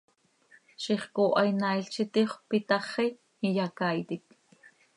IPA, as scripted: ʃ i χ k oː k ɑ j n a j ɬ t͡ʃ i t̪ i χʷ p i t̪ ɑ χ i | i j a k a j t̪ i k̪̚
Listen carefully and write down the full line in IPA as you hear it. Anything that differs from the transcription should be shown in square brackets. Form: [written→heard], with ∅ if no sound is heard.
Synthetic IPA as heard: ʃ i χ k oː [k→ʔ] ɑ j n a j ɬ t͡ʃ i t̪ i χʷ p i t̪ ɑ χ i | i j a k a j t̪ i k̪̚